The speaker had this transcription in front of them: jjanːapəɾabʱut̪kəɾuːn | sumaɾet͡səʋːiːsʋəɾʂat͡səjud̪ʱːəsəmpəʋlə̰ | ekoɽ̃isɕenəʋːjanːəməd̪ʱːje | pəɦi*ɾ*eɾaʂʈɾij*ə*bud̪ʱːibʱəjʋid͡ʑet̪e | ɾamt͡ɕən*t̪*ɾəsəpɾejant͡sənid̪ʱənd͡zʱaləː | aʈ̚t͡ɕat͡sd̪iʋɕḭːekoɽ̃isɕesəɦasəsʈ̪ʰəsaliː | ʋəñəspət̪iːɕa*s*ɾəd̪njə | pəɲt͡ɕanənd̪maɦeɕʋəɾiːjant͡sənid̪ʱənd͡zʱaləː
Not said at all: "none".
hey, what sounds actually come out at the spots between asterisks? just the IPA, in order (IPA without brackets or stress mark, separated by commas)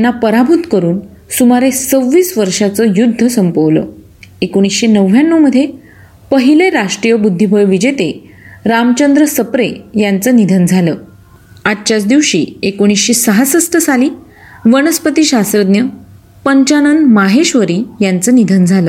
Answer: l, ə, d̪, s